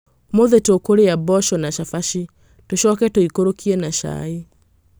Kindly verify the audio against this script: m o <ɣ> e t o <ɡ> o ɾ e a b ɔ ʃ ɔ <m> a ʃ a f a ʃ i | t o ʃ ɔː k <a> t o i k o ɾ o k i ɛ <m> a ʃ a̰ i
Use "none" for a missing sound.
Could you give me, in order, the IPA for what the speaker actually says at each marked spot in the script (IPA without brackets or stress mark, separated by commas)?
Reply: ð, k, n, ɛ, n